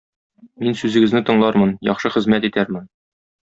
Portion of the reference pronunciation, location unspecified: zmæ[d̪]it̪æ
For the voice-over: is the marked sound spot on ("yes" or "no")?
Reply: no